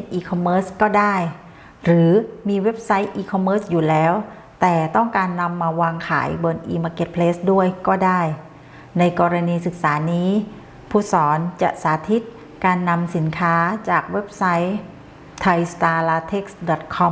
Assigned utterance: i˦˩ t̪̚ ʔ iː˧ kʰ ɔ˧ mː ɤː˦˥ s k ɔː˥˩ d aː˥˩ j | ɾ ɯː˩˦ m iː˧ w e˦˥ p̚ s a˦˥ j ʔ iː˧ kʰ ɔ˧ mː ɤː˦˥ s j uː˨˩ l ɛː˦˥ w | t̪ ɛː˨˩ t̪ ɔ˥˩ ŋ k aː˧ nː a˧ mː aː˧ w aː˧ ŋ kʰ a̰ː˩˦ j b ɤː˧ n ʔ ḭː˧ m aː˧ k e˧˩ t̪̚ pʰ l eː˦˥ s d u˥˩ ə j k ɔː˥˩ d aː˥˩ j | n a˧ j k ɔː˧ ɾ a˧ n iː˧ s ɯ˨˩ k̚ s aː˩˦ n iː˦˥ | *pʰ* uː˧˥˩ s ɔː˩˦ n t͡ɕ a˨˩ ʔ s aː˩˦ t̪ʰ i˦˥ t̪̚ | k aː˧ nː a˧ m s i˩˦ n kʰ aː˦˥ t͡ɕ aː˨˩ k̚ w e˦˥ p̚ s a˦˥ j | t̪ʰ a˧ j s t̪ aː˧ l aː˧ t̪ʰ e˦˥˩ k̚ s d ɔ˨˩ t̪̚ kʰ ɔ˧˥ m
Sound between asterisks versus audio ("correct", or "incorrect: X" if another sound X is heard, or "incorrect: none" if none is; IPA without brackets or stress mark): correct